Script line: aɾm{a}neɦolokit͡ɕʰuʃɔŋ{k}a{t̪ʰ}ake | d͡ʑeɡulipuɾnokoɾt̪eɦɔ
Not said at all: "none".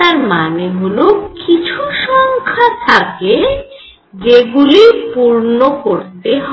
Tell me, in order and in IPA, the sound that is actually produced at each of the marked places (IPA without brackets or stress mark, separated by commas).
a, kʰ, t̪ʰ